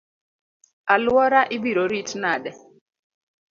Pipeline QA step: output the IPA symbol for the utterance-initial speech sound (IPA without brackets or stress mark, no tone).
a